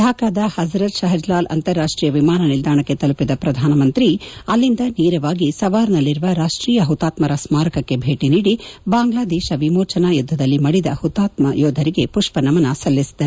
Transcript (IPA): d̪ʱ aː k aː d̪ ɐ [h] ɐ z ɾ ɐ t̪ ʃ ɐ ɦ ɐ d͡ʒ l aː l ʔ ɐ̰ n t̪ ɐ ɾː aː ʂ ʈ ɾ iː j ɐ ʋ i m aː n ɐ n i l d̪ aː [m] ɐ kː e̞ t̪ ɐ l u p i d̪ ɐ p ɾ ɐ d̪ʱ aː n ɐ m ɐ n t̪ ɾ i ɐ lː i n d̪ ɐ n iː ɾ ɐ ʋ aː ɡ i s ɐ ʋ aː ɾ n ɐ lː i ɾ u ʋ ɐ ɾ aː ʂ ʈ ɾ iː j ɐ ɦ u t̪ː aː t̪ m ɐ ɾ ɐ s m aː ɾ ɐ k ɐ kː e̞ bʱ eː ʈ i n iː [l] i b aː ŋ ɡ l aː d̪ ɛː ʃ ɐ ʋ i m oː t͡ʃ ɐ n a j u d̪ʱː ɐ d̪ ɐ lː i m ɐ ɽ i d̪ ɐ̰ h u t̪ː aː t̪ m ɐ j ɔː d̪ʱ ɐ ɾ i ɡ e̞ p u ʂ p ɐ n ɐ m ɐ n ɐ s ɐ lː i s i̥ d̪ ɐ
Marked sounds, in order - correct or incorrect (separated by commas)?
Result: correct, incorrect, incorrect